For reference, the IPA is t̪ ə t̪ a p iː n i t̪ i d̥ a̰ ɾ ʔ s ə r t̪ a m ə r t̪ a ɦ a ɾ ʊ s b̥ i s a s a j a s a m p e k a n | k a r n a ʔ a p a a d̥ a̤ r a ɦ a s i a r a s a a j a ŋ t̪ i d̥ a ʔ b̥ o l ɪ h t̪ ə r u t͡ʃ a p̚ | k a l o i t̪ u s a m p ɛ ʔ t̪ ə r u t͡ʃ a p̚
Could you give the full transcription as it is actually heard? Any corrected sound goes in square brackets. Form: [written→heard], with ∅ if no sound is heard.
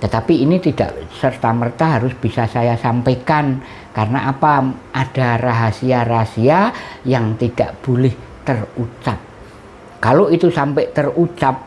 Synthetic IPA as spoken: t̪ ə t̪ a p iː n i t̪ i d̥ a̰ [ɾ→∅] ʔ s ə r t̪ a m ə r t̪ a ɦ a ɾ ʊ s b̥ i s a s a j a s a m p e k a n | k a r n a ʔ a p a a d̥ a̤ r a ɦ a s i a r a s [a→i] a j a ŋ t̪ i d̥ a ʔ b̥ o l ɪ h t̪ ə r u t͡ʃ a p̚ | k a l o i t̪ u s a m p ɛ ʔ t̪ ə r u t͡ʃ a p̚

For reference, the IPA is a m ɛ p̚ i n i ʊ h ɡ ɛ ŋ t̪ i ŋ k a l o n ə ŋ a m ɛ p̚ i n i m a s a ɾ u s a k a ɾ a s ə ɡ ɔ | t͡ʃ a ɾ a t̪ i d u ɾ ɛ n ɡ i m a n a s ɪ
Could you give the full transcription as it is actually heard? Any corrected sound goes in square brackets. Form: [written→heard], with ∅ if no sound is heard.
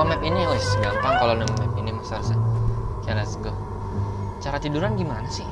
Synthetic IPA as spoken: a m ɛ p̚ i n i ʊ [h→s] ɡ [ɛ→a] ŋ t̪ [i→a] ŋ k a l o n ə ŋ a m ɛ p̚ i n i m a s a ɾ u s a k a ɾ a s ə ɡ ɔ | t͡ʃ a ɾ a t̪ i d u ɾ [ɛ→a] n ɡ i m a n a s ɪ

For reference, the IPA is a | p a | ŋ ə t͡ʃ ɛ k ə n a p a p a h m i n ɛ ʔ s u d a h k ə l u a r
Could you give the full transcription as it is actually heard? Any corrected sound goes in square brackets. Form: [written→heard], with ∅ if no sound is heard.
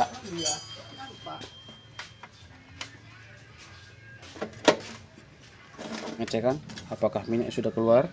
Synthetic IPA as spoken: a | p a | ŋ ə t͡ʃ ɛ k [ə→a] n a p a [p→k] a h m i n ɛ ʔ s u d a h k ə l u a r

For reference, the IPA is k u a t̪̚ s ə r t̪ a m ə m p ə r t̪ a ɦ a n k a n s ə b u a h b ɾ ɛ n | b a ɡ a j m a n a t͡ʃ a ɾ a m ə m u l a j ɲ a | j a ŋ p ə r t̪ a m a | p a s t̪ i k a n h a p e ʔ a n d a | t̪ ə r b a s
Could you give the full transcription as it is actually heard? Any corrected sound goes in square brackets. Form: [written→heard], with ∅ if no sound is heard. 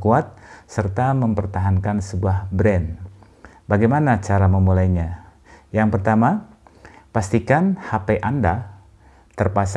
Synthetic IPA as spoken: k u a t̪̚ s ə r t̪ a m ə m p ə r t̪ a ɦ a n k a n s ə b u a h b ɾ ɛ n | b a ɡ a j m a n a t͡ʃ a ɾ a m ə m u l a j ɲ a | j a ŋ p ə r t̪ a m a | p a s t̪ i k a n h a p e ʔ a n d a | t̪ ə r [b→p] a s

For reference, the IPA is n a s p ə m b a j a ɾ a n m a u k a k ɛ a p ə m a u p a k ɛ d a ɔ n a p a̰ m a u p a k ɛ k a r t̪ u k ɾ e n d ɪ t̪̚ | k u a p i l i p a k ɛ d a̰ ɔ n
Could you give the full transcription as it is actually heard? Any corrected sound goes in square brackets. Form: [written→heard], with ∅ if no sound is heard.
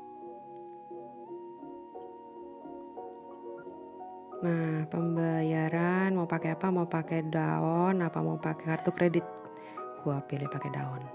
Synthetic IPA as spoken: n a [s→h] p ə m b a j a ɾ a n m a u [k→p] a k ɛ a p [ə→a] m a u p a k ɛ d a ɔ n a p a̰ m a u p a k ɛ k a r t̪ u k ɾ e [n→∅] d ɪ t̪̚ | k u a p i l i p a k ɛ d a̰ ɔ n

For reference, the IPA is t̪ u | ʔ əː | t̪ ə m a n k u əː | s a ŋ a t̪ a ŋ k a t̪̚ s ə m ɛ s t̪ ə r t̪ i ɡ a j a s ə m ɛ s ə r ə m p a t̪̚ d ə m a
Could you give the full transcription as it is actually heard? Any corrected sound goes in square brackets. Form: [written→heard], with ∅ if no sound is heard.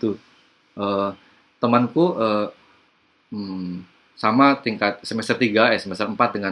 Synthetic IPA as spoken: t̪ u | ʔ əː | t̪ ə m a n k u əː | s a [ŋ→m] a t̪ [a→i] ŋ k a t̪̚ s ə m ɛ s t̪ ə r t̪ i ɡ a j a s ə m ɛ s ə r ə m p a t̪̚ d ə [m→ŋ] a

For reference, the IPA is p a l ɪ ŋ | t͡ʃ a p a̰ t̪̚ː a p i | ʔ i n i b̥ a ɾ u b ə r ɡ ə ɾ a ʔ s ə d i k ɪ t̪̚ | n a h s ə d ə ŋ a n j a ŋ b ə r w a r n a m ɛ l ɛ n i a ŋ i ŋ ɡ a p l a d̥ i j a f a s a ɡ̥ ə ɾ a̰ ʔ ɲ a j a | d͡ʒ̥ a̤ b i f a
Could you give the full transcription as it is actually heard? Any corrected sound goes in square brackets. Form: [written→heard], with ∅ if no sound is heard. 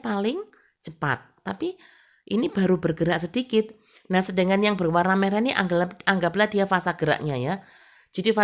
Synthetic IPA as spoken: p a l ɪ ŋ | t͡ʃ [a→ə] p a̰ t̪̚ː a p i | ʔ i n i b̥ a ɾ u b ə r ɡ ə ɾ a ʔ s ə d i k ɪ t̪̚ | n a h s ə d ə ŋ a n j a ŋ b ə r w a r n a m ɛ [l→ɾ] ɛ n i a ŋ [i→a] ŋ ɡ a p l a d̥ i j a f a s a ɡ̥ ə ɾ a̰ ʔ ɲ a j a | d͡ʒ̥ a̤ [b→d] i f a

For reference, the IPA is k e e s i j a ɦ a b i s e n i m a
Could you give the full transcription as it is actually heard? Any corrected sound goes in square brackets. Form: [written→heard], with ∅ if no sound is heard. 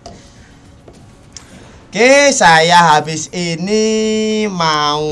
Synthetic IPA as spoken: k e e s [i→a] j a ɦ a b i s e n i m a

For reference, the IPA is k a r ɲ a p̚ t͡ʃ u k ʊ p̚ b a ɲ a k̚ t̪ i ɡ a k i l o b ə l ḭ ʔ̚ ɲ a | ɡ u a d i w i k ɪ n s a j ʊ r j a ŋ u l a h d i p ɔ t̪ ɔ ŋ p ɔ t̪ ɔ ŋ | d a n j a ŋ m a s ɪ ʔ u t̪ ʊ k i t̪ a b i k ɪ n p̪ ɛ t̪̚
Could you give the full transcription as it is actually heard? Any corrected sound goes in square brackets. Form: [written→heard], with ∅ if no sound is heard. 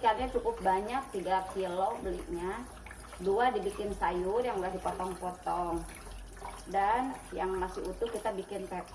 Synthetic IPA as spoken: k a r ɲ a [p̚→∅] t͡ʃ u k ʊ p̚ b a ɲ a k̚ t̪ i ɡ a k i l o b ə l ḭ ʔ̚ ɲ a | [ɡ→d] u a d i [w→b] i k ɪ n s a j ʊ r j a ŋ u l a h d i p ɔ t̪ ɔ ŋ p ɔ t̪ ɔ ŋ | d a n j a ŋ m a s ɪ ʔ u t̪ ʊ k i t̪ a b i k ɪ n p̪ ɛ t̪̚

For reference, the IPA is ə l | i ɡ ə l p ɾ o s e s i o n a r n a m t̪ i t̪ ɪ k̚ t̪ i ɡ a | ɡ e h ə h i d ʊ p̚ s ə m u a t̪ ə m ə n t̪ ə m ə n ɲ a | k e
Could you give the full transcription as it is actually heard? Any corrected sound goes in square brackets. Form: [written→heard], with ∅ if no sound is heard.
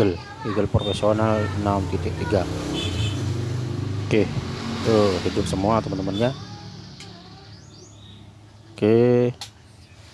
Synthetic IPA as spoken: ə l | i ɡ ə l p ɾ o [s→f] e s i o n a [r→l] n a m t̪ i t̪ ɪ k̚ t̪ i ɡ a | [ɡ→k] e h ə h i d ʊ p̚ s ə m u a t̪ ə m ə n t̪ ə m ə n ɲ a | k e

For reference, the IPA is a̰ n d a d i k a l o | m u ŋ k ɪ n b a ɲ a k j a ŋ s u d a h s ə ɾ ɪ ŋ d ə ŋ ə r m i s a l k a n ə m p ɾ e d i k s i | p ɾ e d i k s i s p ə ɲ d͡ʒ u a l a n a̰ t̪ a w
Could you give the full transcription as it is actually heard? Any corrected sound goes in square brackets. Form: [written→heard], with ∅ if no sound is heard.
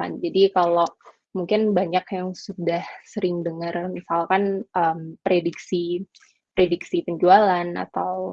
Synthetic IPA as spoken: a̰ n [d→d͡ʒ] a d i k a l o | m u ŋ k ɪ n b a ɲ a k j a ŋ s u d a h s ə ɾ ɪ ŋ d ə ŋ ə r m i s a l k a n ə m p ɾ e d i k s i | p ɾ e d i k s i [s→∅] p ə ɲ d͡ʒ u a l a n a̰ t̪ a w

